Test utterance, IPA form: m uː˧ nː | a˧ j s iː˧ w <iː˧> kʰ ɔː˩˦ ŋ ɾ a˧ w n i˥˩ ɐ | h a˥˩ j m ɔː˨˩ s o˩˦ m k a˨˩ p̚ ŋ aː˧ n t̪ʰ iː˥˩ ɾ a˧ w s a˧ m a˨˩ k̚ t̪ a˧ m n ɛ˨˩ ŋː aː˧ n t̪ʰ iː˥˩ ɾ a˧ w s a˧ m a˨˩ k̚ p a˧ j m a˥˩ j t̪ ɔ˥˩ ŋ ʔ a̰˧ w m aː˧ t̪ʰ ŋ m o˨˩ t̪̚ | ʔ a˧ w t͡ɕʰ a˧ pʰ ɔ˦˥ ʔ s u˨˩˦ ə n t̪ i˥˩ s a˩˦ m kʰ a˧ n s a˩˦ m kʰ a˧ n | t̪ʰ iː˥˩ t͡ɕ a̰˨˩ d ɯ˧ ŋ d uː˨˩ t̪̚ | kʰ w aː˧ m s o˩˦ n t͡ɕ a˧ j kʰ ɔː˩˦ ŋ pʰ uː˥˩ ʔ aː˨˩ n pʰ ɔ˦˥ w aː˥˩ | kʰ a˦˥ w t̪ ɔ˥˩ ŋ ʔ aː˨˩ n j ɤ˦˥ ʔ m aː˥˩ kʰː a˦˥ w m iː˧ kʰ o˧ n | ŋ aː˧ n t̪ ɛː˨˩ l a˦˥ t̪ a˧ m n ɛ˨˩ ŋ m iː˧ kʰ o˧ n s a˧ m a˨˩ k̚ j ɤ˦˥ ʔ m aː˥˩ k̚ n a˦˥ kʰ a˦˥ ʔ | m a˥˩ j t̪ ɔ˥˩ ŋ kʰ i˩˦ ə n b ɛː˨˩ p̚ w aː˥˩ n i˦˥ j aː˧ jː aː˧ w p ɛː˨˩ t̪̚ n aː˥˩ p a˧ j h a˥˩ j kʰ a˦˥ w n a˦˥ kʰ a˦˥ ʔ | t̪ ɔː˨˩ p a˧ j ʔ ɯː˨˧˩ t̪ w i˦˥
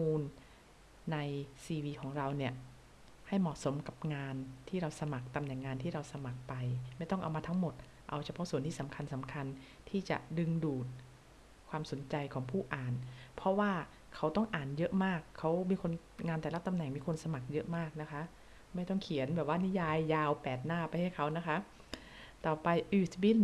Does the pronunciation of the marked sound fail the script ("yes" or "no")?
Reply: no